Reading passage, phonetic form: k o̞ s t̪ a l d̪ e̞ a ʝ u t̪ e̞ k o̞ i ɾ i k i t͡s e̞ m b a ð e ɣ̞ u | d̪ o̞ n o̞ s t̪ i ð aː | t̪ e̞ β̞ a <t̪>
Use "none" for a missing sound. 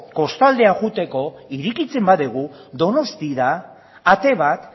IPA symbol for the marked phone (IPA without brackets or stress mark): t̪